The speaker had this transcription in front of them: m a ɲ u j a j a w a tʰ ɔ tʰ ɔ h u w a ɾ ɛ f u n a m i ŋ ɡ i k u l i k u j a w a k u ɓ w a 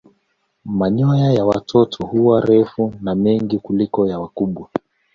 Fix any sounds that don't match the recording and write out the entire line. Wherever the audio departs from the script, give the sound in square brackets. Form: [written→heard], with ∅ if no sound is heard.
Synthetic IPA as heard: m a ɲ [u→ɔ] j a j a w a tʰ ɔ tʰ ɔ h u w a ɾ ɛ f u n a m [i→ɛ] ŋ ɡ i k u l i k [u→ɔ] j a w a k u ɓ w a